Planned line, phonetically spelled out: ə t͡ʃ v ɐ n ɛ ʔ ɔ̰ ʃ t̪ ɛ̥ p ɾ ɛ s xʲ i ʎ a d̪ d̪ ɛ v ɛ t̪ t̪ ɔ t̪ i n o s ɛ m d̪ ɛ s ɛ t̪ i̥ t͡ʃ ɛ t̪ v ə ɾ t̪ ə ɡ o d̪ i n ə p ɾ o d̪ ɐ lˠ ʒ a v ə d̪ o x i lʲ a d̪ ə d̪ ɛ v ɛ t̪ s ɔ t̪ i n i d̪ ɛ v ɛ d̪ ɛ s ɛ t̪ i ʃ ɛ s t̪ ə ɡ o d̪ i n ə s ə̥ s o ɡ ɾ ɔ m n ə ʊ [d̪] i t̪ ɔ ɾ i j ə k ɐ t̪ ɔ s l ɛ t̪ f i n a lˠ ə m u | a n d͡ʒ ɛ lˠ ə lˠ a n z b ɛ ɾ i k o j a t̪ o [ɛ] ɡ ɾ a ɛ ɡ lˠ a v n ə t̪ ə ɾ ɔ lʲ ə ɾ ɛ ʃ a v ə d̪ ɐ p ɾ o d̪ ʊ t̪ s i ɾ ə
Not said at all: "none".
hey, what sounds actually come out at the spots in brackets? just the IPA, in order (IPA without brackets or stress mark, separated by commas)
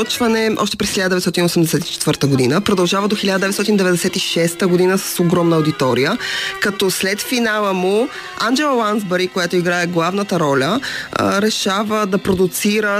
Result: d̪, i